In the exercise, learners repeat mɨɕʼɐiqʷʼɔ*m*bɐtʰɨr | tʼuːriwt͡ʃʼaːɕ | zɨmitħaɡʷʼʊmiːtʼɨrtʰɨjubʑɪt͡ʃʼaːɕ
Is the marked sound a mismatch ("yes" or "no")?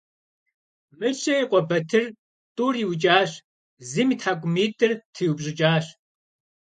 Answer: yes